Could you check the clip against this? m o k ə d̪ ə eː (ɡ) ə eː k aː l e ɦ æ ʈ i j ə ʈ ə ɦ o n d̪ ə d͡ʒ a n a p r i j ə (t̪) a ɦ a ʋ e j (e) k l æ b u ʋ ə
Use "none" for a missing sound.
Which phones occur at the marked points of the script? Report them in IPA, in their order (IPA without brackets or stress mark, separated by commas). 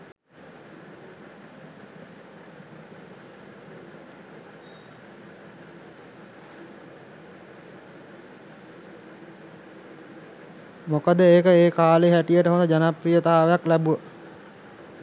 k, t̪, a